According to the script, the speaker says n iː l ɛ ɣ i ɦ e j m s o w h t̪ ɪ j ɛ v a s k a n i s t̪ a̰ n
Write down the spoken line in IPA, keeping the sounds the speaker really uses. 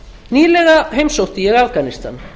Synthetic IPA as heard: n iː l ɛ ɣ a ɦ e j m s o w h t̪ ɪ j ɛ ɣ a f k a n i s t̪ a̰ n